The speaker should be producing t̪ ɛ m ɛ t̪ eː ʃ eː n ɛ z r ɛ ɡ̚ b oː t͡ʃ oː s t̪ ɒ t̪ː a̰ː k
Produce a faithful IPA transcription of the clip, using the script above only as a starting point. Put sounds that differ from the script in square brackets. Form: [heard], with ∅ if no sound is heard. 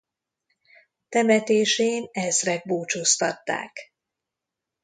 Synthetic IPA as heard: t̪ ɛ m ɛ t̪ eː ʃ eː n ɛ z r ɛ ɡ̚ b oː t͡ʃ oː s t̪ ɒ t̪ː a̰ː k